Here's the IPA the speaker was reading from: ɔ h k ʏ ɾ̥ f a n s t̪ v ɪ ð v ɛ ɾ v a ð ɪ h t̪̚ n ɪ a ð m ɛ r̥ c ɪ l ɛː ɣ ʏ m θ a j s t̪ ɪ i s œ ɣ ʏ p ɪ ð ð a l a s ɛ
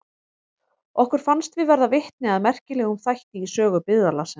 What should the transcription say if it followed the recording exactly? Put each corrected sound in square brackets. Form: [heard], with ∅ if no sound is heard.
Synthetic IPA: ɔ h k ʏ ɾ̥ f a n s t̪ v ɪ ð v ɛ ɾ [ð] a [v] ɪ h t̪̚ n ɪ a ð m ɛ r̥ c ɪ l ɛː ɣ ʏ m θ a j [h] t̪ ɪ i s [œː] ɣ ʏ p ɪ ð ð a l a s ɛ